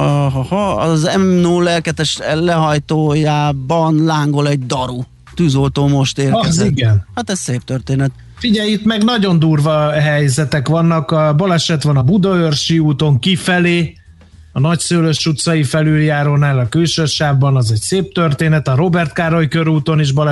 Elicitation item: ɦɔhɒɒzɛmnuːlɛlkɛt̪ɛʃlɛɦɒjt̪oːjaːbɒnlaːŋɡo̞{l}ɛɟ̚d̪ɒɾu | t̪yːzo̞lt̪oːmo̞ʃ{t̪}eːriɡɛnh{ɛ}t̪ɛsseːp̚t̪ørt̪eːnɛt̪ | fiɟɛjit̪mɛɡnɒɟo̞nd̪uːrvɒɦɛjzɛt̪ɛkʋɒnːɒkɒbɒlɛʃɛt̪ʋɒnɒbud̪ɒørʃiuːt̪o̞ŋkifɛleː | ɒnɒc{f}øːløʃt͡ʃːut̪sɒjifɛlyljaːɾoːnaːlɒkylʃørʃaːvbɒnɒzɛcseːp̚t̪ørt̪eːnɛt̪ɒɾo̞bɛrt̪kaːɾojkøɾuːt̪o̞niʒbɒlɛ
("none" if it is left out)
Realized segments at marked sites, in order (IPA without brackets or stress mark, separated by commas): l, t̪, a, s